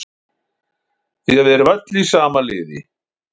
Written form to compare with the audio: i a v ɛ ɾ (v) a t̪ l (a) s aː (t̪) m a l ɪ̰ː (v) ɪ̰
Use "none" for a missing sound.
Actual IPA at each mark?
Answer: v, i, none, ð

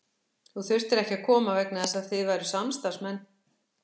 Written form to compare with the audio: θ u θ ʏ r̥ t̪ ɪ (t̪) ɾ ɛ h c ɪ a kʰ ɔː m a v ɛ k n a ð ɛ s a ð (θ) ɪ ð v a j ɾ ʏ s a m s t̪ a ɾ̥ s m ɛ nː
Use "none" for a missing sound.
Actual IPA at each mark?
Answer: none, θ

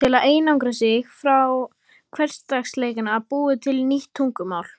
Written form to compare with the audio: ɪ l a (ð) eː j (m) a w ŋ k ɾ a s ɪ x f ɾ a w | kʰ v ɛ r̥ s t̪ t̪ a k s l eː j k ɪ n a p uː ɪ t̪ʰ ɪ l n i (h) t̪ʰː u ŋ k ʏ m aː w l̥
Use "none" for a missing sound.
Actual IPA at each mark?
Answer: ð, n, h

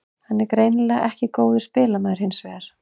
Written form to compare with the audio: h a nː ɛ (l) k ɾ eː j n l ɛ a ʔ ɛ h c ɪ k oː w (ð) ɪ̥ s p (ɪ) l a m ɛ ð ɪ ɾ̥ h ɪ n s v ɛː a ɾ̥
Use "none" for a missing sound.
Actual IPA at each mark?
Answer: ɾ, ð, ɪː

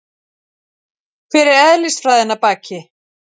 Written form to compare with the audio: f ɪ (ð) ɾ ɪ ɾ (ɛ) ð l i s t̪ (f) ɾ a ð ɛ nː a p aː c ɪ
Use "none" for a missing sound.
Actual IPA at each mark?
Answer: none, ɛ, f

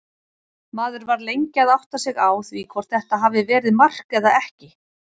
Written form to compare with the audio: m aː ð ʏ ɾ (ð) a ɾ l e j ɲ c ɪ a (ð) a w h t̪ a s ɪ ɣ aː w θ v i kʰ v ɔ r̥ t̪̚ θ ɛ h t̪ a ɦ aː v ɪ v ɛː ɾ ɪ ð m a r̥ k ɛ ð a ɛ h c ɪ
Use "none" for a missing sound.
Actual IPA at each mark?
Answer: v, ð

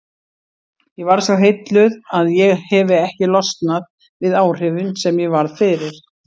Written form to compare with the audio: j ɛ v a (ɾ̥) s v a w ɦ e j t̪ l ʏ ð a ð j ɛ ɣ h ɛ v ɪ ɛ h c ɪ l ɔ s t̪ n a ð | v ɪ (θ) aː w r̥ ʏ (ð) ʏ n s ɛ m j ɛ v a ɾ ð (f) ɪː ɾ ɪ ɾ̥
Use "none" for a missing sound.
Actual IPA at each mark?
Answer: ɾ̥, ð, v, f

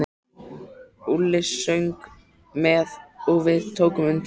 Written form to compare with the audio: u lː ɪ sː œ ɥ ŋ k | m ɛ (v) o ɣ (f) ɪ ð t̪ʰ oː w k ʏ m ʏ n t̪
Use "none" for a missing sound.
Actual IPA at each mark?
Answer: ð, v

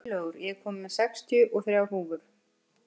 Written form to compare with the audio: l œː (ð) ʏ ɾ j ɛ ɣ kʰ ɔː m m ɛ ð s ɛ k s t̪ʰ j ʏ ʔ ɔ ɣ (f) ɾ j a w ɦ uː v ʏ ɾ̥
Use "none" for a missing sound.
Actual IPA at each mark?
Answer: ɣ, θ

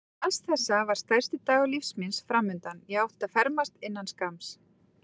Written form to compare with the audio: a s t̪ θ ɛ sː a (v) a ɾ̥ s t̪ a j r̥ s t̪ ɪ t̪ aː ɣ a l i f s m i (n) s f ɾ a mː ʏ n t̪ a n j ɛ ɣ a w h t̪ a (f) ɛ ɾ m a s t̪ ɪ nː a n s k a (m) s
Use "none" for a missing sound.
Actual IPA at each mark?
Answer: v, n, f, m

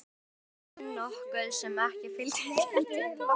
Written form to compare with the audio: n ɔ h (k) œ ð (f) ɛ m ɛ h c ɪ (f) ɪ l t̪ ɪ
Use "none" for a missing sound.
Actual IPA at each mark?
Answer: k, s, f

